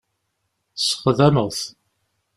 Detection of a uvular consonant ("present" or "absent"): present